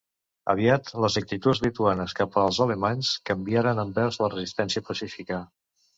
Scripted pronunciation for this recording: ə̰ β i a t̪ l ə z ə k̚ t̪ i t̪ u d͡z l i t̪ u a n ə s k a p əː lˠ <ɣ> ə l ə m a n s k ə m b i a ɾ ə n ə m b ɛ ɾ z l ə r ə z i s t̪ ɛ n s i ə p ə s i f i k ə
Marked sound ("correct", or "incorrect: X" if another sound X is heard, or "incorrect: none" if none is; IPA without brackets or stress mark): incorrect: z